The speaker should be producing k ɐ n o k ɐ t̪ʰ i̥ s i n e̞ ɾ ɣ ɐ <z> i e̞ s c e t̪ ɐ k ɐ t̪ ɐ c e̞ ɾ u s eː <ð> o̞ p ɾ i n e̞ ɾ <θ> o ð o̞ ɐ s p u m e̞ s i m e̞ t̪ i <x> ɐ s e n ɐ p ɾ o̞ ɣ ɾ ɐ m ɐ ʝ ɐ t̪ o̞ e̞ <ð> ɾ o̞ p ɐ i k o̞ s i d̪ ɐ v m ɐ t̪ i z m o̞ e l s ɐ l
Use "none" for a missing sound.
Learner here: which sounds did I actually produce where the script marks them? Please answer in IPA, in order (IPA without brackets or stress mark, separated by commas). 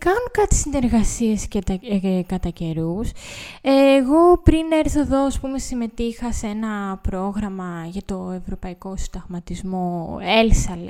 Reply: s, ɣ, θ, x, v